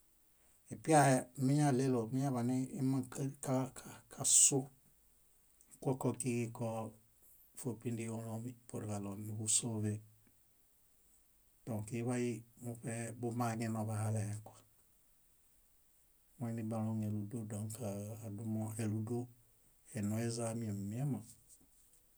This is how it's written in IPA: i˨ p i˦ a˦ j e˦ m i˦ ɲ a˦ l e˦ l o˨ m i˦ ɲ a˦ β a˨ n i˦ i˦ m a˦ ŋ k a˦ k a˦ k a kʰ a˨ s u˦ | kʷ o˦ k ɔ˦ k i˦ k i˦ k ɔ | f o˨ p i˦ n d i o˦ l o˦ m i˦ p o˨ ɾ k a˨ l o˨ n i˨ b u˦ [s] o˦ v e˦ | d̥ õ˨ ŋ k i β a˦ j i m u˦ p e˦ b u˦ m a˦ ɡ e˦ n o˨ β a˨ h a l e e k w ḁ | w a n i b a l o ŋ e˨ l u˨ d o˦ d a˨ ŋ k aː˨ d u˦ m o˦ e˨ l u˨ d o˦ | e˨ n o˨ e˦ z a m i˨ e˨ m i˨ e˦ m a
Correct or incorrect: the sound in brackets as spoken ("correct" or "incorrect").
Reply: correct